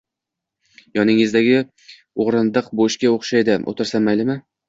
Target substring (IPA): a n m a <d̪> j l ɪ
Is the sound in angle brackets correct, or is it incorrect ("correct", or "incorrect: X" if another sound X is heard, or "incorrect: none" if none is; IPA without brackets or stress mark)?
incorrect: none